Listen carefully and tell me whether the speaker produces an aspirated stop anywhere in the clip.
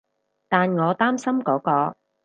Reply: no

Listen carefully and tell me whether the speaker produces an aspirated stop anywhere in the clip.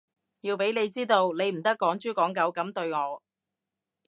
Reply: no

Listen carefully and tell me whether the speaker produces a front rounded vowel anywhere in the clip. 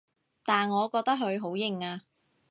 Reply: no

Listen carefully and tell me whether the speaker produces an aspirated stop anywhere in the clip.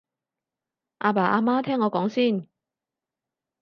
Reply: yes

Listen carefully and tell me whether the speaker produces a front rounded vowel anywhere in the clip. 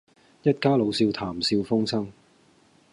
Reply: no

